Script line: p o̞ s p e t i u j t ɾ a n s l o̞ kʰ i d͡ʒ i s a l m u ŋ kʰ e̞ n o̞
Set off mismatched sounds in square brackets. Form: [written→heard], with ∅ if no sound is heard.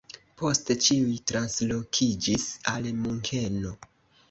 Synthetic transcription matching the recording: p o̞ s [p→t] e [t→t͡ʃ] i u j t ɾ a n s l o̞ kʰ i d͡ʒ i s a l m u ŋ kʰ e̞ n o̞